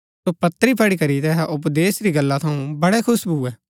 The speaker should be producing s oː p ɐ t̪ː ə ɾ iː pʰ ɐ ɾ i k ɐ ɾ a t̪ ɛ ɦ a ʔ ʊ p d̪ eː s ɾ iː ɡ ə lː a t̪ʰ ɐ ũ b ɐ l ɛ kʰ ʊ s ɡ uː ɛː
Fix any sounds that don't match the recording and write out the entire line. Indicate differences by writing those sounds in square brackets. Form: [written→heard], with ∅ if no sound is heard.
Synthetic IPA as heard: s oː p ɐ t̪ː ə ɾ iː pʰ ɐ [ɾ→ɽ] i k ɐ ɾ [a→i] t̪ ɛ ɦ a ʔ ʊ p d̪ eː s ɾ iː ɡ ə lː a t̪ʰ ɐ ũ b ɐ [l→ɽ] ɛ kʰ ʊ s [ɡ→b] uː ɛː